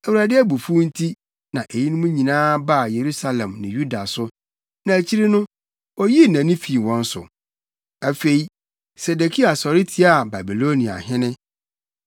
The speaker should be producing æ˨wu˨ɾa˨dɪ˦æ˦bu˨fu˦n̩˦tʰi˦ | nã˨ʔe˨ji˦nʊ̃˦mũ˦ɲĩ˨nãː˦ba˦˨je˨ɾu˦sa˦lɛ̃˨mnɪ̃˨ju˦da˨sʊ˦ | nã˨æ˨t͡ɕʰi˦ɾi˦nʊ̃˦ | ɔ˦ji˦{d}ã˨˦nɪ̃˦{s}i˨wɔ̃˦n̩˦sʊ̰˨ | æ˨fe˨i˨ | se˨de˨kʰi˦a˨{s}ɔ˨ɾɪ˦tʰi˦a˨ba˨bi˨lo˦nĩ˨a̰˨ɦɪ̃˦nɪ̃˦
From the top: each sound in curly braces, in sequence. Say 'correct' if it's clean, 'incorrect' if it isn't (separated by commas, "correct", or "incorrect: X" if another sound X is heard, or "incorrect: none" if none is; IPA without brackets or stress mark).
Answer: incorrect: n, incorrect: f, correct